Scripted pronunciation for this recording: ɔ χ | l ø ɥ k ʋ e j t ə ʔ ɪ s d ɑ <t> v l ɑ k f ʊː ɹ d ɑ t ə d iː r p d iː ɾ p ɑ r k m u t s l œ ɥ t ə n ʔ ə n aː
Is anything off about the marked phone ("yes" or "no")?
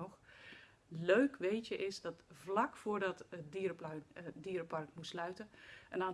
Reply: no